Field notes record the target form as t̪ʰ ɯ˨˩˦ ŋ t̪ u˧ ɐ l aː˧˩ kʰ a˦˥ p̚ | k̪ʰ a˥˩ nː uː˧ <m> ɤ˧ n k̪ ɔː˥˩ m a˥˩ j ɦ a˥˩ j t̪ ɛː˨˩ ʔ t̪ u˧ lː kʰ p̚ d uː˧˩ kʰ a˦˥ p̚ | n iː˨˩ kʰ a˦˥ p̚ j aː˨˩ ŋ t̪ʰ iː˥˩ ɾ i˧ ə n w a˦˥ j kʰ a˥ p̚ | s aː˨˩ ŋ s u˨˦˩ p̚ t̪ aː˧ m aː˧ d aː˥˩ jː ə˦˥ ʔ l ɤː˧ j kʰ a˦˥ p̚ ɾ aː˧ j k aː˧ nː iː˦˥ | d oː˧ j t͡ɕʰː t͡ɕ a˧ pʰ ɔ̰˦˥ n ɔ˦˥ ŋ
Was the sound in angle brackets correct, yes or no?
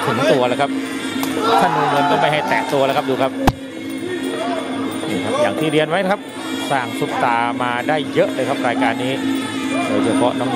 no